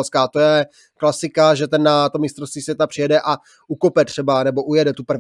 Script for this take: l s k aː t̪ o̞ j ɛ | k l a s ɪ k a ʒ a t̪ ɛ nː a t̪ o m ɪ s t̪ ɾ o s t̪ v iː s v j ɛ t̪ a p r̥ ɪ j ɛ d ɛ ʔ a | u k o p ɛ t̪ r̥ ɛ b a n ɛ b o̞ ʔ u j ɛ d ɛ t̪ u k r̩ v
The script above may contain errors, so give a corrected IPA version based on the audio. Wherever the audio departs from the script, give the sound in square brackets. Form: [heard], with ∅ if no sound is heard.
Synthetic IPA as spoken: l s k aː t̪ o̞ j ɛ | k l a s ɪ k a ʒ [ɛ] t̪ ɛ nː a t̪ o m ɪ s t̪ ɾ o s t̪ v iː s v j ɛ t̪ a p r̥ ɪ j ɛ d ɛ ʔ a | u k o p ɛ t̪ r̥ ɛ b a n ɛ b o̞ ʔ u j ɛ d ɛ t̪ u [p] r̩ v